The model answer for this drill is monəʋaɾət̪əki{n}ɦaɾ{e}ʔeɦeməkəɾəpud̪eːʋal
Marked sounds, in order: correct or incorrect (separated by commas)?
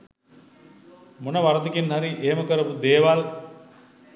correct, incorrect